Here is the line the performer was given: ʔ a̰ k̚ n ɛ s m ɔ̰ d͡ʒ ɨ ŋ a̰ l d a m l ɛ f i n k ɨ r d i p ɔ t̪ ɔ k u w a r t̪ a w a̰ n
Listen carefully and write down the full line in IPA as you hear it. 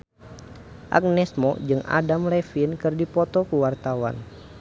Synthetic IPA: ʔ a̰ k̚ n ɛ s m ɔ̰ d͡ʒ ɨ ŋ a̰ d a m l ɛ f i n k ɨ r d i p ɔ t̪ ɔ k u w a r t̪ a w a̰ n